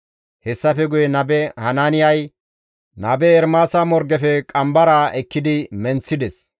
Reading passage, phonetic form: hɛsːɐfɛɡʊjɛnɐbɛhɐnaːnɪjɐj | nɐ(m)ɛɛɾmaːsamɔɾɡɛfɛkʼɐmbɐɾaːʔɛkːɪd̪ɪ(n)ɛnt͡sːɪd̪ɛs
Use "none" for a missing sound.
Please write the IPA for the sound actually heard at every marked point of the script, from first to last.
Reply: b, m

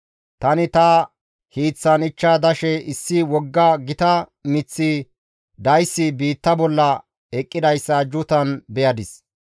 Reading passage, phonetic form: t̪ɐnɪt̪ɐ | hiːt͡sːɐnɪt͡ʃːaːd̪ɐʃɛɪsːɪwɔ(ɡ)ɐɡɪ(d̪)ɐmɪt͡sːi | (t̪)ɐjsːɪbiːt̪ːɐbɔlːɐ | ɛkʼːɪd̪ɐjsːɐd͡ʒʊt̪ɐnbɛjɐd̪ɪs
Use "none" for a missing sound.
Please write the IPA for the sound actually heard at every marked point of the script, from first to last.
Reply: ɡː, t̪, d̪

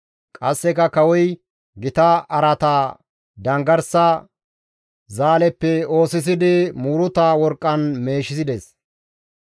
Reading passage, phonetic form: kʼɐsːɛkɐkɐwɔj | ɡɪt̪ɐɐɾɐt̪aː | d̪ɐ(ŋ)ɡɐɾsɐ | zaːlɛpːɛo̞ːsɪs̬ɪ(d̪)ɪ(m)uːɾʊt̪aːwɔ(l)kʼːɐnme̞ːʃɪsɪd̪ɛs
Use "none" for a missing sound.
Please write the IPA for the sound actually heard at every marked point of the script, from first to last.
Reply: ŋ, d̪, m, ɾ

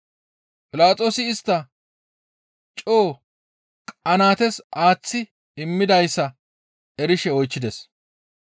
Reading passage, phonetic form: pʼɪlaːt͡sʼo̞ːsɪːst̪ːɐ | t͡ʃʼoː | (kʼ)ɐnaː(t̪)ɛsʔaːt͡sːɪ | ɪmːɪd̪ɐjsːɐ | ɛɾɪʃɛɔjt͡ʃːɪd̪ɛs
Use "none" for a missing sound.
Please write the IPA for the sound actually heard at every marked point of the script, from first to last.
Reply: kʼ, t̪

